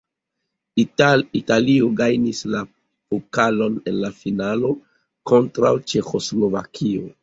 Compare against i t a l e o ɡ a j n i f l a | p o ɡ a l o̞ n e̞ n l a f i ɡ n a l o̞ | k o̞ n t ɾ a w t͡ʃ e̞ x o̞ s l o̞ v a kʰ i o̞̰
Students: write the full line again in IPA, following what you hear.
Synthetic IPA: i t a l i o ɡ a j n i s l a | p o k a l o̞ n e̞ n l a f i n a l o̞ | k o̞ n t ɾ a w t͡ʃ e̞ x o̞ s l o̞ v a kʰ i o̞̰